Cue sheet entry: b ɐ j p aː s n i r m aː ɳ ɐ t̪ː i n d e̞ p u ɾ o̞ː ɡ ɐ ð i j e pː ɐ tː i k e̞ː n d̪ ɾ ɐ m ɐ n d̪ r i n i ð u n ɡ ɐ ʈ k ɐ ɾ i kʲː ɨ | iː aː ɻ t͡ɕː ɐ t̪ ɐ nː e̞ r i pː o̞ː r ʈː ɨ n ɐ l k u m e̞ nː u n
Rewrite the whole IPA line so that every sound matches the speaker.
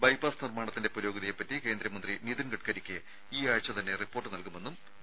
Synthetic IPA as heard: b ɐ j p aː s n i r m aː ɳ ɐ t̪ː i n d e̞ p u ɾ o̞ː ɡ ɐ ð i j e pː ɐ tː i k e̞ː n d̪ ɾ ɐ m ɐ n d̪ r i n i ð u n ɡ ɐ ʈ k ɐ ɾ i kʲː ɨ | iː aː ɻ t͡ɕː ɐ t̪ ɐ nː e̞ r i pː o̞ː r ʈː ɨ n ɐ l k u m e̞ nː u m